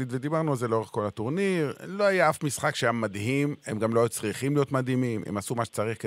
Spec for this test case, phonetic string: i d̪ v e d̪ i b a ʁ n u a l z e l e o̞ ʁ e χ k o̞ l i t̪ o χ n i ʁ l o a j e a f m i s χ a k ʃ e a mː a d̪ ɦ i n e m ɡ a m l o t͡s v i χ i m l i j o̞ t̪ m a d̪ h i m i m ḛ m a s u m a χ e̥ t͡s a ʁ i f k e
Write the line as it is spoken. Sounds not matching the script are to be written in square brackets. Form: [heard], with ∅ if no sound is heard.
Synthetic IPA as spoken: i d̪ v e d̪ i b a ʁ n u a l z e l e o̞ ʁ e χ k o̞ l [a] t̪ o [ʁ] n i ʁ l o a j [a] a f m i s χ a k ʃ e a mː a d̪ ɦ i [m] e m ɡ a m l o t͡s [ʁ] i χ i m l i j o̞ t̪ m a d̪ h i m i m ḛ m a s u m a [ʃ] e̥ t͡s a ʁ i [χ] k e